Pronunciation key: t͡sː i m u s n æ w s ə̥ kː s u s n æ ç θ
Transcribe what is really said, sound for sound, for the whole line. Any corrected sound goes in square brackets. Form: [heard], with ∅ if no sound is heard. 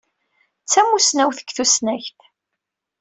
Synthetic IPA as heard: t͡sː [æ] m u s n æ w [θ] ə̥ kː [θ] u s n æ ç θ